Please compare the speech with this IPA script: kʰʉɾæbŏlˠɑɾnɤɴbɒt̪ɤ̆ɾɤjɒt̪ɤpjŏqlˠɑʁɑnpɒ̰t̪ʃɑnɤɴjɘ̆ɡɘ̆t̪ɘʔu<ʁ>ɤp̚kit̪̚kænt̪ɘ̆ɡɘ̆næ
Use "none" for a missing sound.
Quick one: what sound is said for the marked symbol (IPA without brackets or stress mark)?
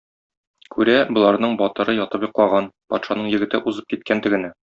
z